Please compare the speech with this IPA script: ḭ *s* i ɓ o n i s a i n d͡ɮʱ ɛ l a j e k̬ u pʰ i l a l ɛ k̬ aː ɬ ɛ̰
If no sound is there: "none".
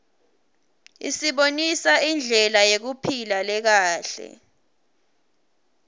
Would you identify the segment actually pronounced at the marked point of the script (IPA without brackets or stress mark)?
s